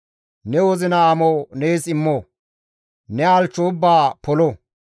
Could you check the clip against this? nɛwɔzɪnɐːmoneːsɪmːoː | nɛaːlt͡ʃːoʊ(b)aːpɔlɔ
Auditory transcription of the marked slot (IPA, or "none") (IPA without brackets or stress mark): bː